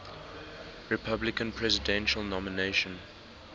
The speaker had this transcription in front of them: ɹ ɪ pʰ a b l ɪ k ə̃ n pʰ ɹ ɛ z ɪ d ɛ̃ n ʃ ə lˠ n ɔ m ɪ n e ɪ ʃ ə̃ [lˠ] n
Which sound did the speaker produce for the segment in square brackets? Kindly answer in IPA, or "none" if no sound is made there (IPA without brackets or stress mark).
none